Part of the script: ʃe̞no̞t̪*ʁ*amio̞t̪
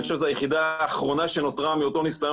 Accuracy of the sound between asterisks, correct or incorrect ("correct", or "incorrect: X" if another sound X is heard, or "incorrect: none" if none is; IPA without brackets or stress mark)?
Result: correct